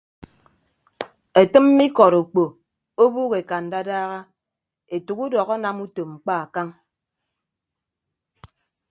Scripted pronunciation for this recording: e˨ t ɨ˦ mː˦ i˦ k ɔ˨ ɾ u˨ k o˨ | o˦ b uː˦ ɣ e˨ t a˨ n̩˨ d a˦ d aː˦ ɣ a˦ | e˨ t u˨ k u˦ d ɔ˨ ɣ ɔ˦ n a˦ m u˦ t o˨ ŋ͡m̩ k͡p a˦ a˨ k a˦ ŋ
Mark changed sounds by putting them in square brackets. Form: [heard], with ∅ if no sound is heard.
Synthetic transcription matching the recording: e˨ t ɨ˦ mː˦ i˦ k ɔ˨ ɾ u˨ [k͡p] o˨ | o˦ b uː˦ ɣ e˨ [k] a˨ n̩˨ d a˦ d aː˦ ɣ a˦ | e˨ t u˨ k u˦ d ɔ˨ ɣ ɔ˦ n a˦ m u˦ t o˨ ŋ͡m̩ k͡p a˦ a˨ k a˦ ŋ